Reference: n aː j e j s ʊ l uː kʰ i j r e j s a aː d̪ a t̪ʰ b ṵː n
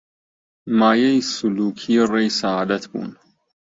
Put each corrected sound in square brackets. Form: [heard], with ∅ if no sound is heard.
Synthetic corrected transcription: [m] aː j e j s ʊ l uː kʰ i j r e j s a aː d̪ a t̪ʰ b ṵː n